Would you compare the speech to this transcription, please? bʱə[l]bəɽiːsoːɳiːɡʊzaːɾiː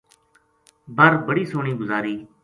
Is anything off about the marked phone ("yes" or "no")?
yes